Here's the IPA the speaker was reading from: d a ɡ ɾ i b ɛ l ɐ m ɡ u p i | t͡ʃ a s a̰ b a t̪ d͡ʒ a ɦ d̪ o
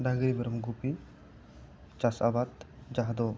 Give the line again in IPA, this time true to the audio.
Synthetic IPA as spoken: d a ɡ ɾ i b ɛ ɾ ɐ m ɡ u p i | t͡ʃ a s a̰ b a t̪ d͡ʒ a ɦ d̪ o